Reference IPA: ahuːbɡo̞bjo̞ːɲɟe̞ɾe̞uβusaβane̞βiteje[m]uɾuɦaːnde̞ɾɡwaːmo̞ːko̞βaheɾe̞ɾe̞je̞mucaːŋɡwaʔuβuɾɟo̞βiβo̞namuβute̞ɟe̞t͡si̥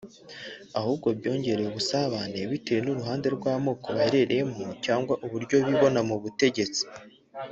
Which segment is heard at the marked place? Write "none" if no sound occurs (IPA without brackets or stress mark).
n